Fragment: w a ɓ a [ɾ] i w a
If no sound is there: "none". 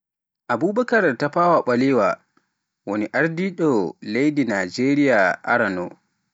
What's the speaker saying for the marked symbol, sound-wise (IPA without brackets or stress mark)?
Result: l